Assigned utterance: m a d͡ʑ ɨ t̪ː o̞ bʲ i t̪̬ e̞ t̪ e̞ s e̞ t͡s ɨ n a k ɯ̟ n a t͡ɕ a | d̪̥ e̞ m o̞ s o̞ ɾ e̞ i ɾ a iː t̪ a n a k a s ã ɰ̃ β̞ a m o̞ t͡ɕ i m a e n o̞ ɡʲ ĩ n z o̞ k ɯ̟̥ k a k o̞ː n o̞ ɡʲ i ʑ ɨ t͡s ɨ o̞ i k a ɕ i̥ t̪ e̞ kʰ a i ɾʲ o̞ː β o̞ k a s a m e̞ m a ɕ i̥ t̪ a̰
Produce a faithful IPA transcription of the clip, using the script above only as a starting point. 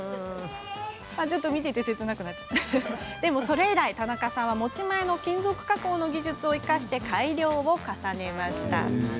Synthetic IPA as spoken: m a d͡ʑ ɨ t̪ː o̞ mʲ i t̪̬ e̞ t̪ e̞ s e̞ t͡s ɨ n a k ɯ̟ n a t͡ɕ a | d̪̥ e̞ m o̞ s o̞ ɾ e̞ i ɾ a i t̪ a n a k a s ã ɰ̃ β̞ a m o̞ t͡ɕ i m a e n o̞ kʲ ĩ n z o̞ k ɯ̟̥ k a k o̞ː n o̞ ɡʲ i ʑ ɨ t͡s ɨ o̞ i k a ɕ i̥ t̪ e̞ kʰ a i ɾʲ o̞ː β o̞ k a s a n e̞ m a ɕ i̥ t̪ a̰